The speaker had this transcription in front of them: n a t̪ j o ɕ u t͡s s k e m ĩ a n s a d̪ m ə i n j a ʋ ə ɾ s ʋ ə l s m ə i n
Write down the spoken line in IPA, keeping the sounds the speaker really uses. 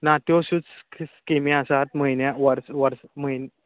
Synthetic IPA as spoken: n a t̪ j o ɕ u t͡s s k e m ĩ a s a t̪ m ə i n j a ʋ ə ɾ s ʋ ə ɾ s m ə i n